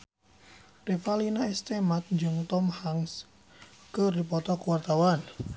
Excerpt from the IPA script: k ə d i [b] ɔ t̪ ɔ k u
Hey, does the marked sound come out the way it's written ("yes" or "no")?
no